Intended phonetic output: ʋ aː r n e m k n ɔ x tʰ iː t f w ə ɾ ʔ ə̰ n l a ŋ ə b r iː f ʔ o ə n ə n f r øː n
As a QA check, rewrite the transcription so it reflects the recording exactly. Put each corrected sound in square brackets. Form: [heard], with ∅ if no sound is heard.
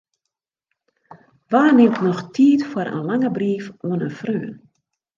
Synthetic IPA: ʋ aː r n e m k n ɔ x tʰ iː t f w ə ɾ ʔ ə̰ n l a ŋ ə b r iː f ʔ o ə n ə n f r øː n